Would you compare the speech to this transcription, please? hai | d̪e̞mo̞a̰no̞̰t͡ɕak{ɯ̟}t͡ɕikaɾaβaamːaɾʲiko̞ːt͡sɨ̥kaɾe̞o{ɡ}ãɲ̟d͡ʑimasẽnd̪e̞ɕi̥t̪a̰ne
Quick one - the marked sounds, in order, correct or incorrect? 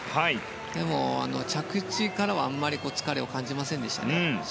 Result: correct, incorrect: k

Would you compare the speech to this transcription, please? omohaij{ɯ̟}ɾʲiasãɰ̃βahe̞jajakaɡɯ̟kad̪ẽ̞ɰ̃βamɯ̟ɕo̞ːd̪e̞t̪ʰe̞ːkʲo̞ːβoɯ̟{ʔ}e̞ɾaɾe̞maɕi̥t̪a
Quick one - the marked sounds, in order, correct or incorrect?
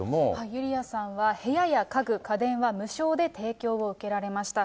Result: correct, incorrect: k

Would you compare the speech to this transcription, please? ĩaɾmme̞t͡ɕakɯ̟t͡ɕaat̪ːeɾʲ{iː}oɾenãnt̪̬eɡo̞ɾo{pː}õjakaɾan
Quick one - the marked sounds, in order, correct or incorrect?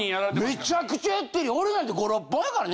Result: incorrect: i, correct

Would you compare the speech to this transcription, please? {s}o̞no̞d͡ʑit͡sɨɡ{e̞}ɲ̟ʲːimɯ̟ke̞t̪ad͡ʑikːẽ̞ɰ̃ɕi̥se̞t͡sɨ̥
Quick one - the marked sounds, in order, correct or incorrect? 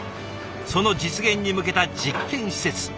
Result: correct, incorrect: ẽ̞

